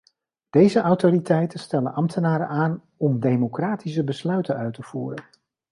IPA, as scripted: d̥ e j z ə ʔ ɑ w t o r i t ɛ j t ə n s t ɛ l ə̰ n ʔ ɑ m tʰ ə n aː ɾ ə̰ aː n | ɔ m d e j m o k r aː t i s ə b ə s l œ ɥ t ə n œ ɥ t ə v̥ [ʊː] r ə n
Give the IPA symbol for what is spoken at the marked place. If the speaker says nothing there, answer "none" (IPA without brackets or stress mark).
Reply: uː